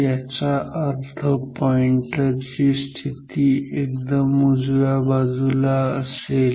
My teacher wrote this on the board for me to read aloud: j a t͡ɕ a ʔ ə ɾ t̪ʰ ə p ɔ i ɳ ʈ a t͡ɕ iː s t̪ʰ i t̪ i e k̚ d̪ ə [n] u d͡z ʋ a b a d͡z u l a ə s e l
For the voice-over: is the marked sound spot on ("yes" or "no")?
no